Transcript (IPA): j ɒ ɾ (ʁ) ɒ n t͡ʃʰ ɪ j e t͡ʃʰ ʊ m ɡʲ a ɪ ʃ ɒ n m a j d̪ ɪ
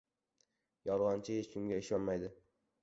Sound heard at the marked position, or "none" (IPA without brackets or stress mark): ʁ